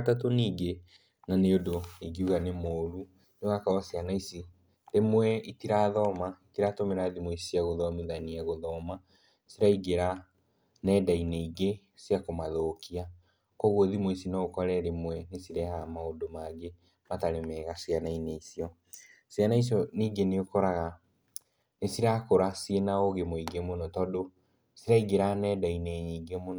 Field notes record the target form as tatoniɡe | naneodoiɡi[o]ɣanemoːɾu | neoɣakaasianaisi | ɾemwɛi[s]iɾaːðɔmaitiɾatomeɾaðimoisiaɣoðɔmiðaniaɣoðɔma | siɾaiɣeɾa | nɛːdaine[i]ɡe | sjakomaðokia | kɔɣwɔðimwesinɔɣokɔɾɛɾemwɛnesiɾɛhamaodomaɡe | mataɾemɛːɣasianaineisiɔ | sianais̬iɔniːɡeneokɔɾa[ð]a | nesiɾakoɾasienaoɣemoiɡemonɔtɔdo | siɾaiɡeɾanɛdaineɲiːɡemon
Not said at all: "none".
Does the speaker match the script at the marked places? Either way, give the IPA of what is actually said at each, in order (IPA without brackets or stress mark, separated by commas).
u, t, i, ɣ